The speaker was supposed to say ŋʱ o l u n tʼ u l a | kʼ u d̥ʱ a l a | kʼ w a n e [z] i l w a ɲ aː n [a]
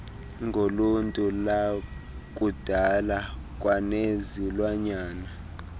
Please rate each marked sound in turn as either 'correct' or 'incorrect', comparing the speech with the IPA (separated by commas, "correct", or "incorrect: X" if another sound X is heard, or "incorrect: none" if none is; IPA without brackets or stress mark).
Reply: correct, correct